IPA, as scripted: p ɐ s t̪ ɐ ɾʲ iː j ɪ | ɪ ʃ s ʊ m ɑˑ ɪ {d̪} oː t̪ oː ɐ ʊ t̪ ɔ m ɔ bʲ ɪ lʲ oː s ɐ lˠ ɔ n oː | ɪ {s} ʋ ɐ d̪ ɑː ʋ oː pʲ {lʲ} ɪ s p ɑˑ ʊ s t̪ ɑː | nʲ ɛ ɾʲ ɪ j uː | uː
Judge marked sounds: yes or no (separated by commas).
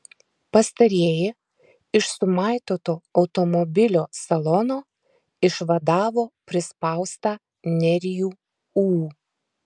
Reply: no, no, no